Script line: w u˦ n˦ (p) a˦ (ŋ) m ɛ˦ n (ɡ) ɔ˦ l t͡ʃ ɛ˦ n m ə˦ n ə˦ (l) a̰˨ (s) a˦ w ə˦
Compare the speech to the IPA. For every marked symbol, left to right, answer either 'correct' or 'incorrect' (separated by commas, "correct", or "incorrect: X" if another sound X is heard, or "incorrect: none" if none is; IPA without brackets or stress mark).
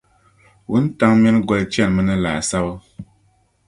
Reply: incorrect: t, correct, correct, correct, correct